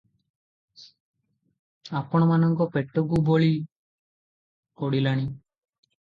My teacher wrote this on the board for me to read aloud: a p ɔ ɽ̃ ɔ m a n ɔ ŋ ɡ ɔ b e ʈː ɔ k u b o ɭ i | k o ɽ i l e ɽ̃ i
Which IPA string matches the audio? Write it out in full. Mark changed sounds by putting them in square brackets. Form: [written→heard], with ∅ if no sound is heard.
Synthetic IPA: a p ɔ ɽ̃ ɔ m a n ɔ ŋ [ɡ→k] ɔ [b→p] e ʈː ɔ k u b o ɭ i | k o ɽ i l [e→a] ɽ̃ i